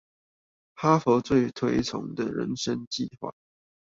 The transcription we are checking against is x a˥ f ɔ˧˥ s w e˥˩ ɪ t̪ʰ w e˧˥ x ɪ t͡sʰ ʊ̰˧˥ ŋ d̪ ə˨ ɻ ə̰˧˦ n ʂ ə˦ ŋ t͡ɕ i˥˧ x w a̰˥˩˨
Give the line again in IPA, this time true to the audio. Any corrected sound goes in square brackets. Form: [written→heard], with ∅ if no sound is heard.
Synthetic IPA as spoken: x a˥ f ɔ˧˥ [s→t͡s] w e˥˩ ɪ t̪ʰ w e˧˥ [x→∅] ɪ t͡sʰ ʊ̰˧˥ ŋ d̪ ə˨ ɻ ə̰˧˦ n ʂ ə˦ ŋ t͡ɕ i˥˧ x w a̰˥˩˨